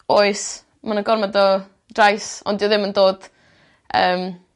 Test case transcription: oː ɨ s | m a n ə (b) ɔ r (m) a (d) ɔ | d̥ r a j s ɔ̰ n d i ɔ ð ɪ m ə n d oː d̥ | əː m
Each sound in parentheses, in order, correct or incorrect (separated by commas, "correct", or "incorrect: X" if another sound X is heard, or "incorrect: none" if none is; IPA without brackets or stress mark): incorrect: ɡ, correct, correct